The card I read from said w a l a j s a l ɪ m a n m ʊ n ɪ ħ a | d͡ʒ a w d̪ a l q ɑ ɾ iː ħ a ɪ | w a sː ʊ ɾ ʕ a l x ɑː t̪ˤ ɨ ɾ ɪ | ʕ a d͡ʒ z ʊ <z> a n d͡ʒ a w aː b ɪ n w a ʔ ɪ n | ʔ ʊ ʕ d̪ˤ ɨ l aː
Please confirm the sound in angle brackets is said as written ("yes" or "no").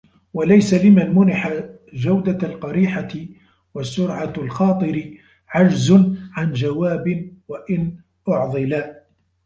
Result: no